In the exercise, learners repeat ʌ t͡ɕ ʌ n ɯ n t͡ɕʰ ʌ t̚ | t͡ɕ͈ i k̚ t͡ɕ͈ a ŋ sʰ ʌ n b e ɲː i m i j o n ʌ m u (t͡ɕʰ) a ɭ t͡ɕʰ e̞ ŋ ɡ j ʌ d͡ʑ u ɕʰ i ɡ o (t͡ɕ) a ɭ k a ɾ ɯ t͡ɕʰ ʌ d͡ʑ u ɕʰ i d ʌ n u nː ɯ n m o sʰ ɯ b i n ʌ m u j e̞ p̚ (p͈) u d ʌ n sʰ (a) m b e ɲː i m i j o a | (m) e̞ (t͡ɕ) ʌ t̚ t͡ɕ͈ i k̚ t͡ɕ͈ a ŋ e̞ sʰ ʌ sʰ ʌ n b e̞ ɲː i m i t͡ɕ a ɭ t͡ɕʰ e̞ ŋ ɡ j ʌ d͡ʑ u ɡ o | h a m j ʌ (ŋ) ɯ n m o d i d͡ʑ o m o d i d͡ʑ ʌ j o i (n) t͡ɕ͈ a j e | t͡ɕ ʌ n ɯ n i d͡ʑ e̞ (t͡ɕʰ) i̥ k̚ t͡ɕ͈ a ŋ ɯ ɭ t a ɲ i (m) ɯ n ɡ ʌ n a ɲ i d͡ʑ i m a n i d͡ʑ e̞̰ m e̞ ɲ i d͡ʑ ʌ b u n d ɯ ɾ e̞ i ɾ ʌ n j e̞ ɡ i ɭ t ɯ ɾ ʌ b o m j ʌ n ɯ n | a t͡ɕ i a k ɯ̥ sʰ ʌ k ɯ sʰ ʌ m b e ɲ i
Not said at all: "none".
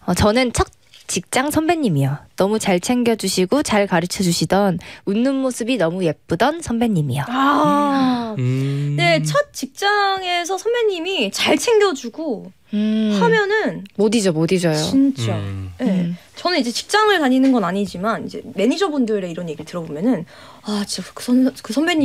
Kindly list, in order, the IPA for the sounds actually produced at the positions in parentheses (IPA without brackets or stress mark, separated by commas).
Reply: t͡ɕ, t͡ɕ, p͈, ʌ, n, t͡ɕʰ, n, n, t͡ɕ, n